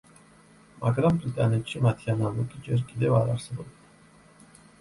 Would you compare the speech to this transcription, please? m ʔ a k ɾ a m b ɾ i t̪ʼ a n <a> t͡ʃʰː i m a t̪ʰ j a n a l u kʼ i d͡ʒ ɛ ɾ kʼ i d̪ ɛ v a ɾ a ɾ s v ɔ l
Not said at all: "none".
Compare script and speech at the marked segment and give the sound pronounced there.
ɛ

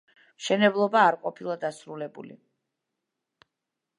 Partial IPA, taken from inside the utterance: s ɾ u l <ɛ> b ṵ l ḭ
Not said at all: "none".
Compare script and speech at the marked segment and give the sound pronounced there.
ɛ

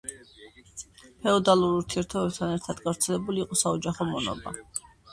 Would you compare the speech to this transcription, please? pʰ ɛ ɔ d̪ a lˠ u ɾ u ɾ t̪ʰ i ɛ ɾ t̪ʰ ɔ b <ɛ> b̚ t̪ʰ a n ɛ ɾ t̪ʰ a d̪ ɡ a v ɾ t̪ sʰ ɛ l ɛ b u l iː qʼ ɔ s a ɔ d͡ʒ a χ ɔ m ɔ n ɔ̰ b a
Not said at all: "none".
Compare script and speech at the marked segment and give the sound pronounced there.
ɛ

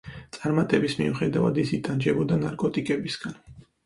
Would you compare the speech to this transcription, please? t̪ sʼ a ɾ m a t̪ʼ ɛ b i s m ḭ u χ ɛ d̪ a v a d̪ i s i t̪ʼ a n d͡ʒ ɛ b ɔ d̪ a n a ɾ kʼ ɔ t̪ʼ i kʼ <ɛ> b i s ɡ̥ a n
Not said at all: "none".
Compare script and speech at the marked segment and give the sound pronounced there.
ɛ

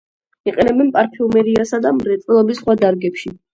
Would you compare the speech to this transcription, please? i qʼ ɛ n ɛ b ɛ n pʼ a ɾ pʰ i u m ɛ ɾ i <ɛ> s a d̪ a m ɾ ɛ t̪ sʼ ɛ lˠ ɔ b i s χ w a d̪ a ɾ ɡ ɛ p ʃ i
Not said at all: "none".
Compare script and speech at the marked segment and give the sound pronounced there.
a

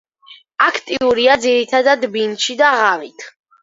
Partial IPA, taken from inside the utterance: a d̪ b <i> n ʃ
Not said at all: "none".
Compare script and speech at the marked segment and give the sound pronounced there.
i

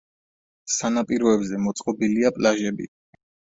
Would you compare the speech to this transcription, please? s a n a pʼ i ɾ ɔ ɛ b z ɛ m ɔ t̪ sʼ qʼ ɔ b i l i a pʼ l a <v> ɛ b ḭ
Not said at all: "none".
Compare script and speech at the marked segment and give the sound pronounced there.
ʒ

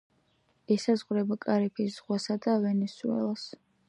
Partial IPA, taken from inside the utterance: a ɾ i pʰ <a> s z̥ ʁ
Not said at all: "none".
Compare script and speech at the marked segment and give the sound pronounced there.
i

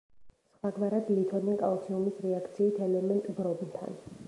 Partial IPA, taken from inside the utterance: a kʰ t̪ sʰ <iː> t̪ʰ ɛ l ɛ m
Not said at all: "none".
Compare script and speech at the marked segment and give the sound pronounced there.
iː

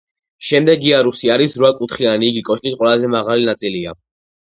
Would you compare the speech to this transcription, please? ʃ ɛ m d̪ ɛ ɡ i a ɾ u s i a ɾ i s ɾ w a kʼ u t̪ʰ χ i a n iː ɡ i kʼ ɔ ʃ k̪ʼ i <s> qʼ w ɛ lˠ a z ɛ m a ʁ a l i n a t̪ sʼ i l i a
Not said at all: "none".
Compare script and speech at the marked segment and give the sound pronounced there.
s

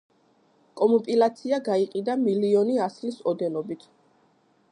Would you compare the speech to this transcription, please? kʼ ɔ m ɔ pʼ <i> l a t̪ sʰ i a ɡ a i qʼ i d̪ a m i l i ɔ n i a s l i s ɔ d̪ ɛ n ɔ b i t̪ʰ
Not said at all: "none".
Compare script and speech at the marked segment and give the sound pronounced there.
i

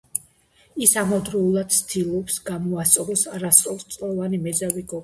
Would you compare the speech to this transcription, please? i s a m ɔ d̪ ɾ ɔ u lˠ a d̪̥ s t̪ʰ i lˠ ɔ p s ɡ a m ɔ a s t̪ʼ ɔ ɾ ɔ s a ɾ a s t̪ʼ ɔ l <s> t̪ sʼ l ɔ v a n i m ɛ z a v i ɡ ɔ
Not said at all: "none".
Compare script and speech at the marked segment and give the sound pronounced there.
s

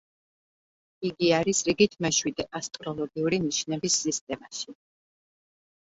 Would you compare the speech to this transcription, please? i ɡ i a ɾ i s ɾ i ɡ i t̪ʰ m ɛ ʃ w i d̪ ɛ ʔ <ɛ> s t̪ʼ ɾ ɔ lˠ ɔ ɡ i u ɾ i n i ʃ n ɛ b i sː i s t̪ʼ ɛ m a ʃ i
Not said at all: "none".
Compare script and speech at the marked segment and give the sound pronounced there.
a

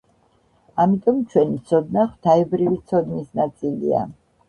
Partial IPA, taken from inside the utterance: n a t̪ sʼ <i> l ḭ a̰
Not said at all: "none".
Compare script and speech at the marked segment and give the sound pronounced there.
i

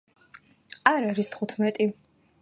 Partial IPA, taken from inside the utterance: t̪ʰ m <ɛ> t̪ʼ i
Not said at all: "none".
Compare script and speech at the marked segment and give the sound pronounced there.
ɛ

